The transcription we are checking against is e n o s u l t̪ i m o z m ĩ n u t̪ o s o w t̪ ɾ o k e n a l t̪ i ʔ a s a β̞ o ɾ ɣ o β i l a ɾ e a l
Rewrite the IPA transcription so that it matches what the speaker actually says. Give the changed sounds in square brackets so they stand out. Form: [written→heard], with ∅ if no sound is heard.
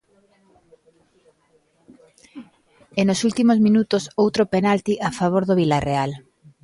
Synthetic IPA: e n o s u l t̪ i m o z m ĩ n u t̪ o s o w t̪ ɾ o [k→p] e n a l t̪ i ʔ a [s→f] a β̞ o ɾ [ɣ→ð] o β i l a [ɾ→r] e a l